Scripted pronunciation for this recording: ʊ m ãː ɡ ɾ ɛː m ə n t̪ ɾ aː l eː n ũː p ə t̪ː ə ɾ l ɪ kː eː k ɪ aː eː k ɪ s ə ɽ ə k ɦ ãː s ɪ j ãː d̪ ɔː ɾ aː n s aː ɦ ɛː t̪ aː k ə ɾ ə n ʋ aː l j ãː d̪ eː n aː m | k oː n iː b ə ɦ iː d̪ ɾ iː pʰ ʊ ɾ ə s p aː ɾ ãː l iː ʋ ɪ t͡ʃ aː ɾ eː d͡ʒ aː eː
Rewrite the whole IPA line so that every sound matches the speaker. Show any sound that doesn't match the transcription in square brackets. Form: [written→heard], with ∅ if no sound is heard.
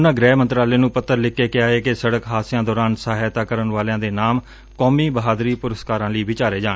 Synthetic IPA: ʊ [m→n] ãː ɡ ɾ ɛː m ə n t̪ ɾ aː l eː n ũː p ə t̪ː ə ɾ l ɪ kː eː k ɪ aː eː k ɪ s ə ɽ ə k ɦ [ãː→aː] s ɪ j ãː d̪ ɔː ɾ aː n s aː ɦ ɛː t̪ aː k ə ɾ ə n ʋ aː l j ãː d̪ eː n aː m | k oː [n→m] iː b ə ɦ [iː→aː] d̪ ɾ iː [pʰ→p] ʊ ɾ ə s [p→k] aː ɾ ãː l iː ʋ ɪ t͡ʃ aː ɾ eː d͡ʒ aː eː